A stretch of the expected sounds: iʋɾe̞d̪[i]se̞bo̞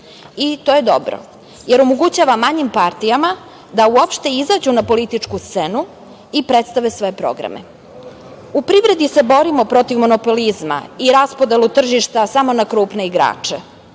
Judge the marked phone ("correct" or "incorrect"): correct